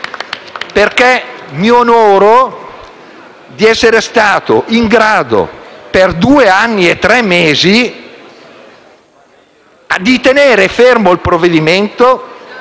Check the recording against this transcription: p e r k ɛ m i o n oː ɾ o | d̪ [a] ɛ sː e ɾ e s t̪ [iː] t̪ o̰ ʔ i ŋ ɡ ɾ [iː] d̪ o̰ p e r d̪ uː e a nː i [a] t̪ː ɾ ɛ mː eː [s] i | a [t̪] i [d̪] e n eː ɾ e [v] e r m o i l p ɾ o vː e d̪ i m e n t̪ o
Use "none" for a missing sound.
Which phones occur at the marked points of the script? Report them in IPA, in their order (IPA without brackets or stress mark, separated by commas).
i, aː, aː, e, z, d̪, t̪, f